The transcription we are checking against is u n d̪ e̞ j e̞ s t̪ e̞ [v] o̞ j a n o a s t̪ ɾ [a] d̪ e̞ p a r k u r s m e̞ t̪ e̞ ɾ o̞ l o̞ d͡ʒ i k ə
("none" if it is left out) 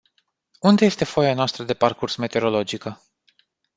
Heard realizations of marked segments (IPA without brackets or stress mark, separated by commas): f, ə